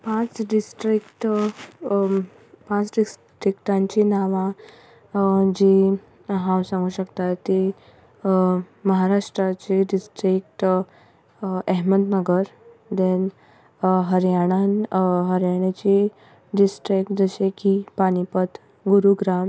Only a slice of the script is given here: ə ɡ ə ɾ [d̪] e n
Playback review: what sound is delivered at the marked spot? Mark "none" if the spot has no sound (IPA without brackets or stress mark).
d̪